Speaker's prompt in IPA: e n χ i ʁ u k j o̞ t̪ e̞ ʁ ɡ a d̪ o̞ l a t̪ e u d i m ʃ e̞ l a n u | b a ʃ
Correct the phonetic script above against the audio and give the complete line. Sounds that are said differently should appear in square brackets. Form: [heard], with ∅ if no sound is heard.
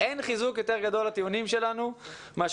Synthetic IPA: e n χ i [z] u k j o̞ t̪ e̞ ʁ ɡ a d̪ o̞ l a t̪ [i] u [n] i m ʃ e̞ l a n u | [m] a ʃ